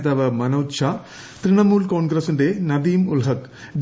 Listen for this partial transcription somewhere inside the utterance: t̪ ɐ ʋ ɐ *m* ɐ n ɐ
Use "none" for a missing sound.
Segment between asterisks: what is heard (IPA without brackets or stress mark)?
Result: m